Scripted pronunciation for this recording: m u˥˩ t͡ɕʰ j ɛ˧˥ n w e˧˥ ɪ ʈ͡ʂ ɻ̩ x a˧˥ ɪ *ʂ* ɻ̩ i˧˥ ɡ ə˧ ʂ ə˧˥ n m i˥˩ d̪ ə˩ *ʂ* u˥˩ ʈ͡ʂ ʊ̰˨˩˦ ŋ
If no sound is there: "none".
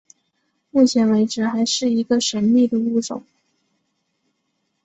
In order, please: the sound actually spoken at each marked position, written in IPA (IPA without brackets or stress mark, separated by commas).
ʂ, none